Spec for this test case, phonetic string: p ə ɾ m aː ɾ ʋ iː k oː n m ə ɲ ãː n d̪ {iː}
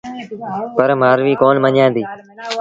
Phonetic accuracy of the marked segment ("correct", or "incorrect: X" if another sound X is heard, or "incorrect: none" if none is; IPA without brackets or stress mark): correct